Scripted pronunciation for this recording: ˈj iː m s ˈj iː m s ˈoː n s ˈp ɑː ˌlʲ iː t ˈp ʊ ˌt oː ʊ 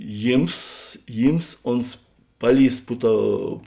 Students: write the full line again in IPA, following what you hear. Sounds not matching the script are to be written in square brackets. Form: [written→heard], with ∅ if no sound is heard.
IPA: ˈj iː m s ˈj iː m s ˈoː n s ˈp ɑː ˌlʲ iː [t→s] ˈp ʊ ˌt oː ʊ